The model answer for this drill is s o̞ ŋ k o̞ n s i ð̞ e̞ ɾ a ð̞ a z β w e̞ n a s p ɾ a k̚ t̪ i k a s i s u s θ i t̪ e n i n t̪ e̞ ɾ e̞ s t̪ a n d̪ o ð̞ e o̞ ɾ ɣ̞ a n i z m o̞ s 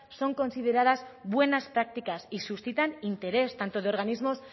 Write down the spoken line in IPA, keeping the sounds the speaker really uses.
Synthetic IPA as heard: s o̞ ŋ k o̞ n s i ð̞ e̞ ɾ a ð̞ a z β w e̞ n a s p ɾ a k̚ t̪ i k a s i s u s θ i t̪ a n i n t̪ e̞ ɾ e̞ s t̪ a n t̪ o ð̞ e o̞ ɾ ɣ̞ a n i z m o̞ s

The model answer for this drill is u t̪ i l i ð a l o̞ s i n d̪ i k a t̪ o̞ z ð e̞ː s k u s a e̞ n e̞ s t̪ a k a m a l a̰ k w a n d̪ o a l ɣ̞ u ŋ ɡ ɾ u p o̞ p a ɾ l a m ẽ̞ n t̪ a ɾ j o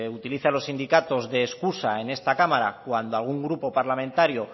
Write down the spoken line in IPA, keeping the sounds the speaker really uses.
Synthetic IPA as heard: u t̪ i l i θ a l o̞ s i n d̪ i k a t̪ o̞ z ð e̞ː s k u s a e̞ n e̞ s t̪ a k a m a ɾ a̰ k w a n d̪ o a l ɣ̞ u ŋ ɡ ɾ u p o̞ p a ɾ l a m ẽ̞ n t̪ a ɾ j o

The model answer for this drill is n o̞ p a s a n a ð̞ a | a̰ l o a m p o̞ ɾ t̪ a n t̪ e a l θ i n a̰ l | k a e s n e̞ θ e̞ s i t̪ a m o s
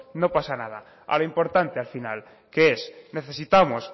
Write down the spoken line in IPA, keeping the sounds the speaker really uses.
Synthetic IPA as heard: n o̞ p a s a n a ð̞ a | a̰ l o i m p o̞ ɾ t̪ a n t̪ e a l f i n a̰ l | k e e s n e̞ θ e̞ s i t̪ a m o s

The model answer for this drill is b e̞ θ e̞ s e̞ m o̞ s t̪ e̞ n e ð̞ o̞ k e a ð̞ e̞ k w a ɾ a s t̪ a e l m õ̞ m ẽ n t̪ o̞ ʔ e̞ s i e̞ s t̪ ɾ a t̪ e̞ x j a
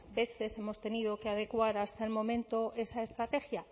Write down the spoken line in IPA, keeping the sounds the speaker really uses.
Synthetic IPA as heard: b e̞ θ e̞ s e̞ m o̞ s t̪ e̞ n i ð̞ o̞ k e a ð̞ e̞ k w a ɾ a s t̪ a e l m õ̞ m ẽ n t̪ o̞ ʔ e̞ s a e̞ s t̪ ɾ a t̪ e̞ x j a

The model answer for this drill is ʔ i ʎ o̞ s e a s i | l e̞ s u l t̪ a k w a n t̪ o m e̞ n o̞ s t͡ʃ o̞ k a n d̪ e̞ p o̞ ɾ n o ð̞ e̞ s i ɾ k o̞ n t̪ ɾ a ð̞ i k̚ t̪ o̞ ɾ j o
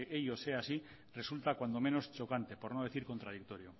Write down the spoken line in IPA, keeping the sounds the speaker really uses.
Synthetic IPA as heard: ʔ e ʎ o̞ s e a s i | r e̞ s u l t̪ a k w a n d̪ o m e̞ n o̞ s t͡ʃ o̞ k a n t̪ e̞ p o̞ ɾ n o ð̞ e̞ θ i ɾ k o̞ n t̪ ɾ a ð̞ i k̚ t̪ o̞ ɾ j o

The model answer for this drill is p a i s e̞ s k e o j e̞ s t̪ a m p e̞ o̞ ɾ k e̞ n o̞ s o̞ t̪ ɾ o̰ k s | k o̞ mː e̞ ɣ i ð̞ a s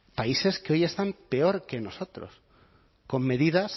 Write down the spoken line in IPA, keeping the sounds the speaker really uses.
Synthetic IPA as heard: p a i s e̞ s k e o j e̞ s t̪ a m p e̞ o̞ ɾ k e̞ n o̞ s o̞ t̪ ɾ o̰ s | k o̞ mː e̞ ð i ð̞ a s

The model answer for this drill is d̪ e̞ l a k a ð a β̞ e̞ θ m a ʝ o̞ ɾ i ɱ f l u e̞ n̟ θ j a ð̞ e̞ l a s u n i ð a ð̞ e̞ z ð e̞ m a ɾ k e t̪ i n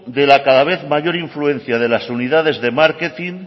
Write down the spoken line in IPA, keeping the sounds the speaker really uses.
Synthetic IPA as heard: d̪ e̞ l a k a ð a β̞ e̞ θ m a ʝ o̞ ɾ i ɱ f l u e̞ n̟ θ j a ð̞ e̞ l a s u n i ð a ð̞ e̞ z ð e̞ m a ɾ k e t̪ i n

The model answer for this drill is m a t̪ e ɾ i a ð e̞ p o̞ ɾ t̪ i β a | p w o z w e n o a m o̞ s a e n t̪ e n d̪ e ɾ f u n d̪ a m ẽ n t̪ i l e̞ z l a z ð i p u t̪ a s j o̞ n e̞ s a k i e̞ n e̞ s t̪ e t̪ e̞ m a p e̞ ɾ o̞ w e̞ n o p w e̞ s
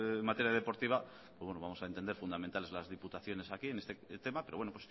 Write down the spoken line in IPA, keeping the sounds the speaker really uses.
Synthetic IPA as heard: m a t̪ e ɾ j a ð e̞ p o̞ ɾ t̪ i β a | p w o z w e n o a m o̞ s a e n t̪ e n d̪ e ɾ f u n d̪ a m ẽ n t̪ a l e̞ z l a z ð i p u t̪ a θ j o̞ n e̞ s a k i e̞ n e̞ s t̪ e t̪ e̞ m a p e̞ ɾ o̞ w e̞ n o p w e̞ s

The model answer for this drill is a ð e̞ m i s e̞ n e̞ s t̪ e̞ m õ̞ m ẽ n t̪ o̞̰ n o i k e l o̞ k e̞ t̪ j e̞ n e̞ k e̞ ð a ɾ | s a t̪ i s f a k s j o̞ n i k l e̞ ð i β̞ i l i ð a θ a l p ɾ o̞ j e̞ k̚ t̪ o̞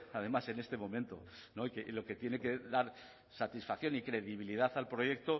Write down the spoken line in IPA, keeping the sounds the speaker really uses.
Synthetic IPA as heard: a ð e̞ m a s e̞ n e̞ s t̪ e̞ m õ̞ m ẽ n t̪ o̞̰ n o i k e l o̞ k e̞ t̪ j e̞ n e̞ k e̞ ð a ɾ | s a t̪ i s f a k θ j o̞ n i k ɾ e̞ ð i β̞ i l i ð a θ a l p ɾ o̞ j e̞ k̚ t̪ o̞

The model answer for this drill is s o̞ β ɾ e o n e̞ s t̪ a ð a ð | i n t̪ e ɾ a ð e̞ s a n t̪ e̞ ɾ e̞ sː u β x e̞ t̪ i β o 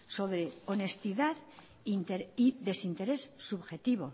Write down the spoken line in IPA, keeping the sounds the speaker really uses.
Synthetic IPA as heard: s o̞ β ɾ e o n e̞ s t̪ i ð a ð | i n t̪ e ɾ i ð e̞ s i n t̪ e̞ ɾ e̞ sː u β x e̞ t̪ i β o

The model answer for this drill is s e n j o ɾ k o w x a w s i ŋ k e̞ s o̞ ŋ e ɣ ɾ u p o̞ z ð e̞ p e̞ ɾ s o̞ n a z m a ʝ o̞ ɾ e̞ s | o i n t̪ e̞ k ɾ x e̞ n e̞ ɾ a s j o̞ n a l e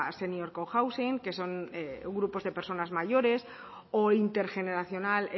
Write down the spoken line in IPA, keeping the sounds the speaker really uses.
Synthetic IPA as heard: s e n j o ɾ k o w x a w s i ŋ k e̞ s o̞ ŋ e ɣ ɾ u p o̞ z ð e̞ p e̞ ɾ s o̞ n a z m a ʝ o̞ ɾ e̞ s | o i n t̪ e̞ ɾ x e̞ n e̞ ɾ a θ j o̞ n a l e

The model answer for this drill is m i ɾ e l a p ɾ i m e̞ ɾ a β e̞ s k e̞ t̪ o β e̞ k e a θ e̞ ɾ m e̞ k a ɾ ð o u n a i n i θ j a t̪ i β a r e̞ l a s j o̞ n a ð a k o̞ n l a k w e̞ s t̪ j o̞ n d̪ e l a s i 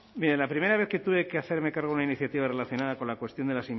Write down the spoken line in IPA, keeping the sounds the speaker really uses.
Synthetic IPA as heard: m i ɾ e l a p ɾ i m e̞ ɾ a β e̞ θ k e̞ t̪ u β e̞ k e a θ e̞ ɾ m e̞ k a ɾ ɣ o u n a i n i θ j a t̪ i β a r e̞ l a θ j o̞ n a ð a k o̞ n l a k w e̞ s t̪ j o̞ n d̪ e l a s i

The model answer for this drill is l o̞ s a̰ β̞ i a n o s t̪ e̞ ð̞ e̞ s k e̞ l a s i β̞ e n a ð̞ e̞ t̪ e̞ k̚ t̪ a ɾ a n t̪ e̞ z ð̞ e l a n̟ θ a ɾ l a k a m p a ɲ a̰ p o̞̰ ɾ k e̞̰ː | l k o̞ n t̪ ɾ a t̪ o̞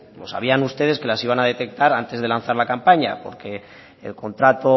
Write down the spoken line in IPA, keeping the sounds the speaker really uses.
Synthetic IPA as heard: l o̞ s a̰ β̞ i a n u s t̪ e̞ ð̞ e̞ s k e̞ l a s i β̞ a n a ð̞ e̞ t̪ e̞ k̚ t̪ a ɾ a n t̪ e̞ z ð̞ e l a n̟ θ a ɾ l a k a m p a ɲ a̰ p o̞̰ ɾ k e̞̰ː | l k o̞ n t̪ ɾ a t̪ o̞

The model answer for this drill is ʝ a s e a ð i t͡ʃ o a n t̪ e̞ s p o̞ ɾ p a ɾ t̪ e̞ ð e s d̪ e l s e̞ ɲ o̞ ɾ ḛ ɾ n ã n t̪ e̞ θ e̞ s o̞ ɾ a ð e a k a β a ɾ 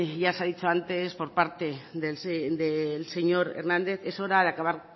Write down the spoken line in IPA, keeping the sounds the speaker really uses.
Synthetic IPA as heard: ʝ a s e a ð i t͡ʃ o a n t̪ e̞ s p o̞ ɾ p a ɾ t̪ e̞ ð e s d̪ e l s e̞ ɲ o̞ ɾ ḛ ɾ n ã n d̪ e̞ θ e̞ s o̞ ɾ a ð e a k a β a ɾ

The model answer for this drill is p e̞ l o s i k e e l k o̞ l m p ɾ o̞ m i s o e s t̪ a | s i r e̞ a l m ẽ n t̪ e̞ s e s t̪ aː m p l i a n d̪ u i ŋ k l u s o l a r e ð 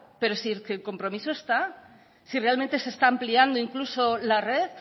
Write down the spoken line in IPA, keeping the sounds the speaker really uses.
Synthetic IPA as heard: p e̞ ɾ o s i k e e l k o̞ m p ɾ o̞ m i s o e s t̪ a | s i r e̞ a l m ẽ n t̪ e̞ s e s t̪ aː m p l i a n d̪ o i ŋ k l u s o l a r e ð

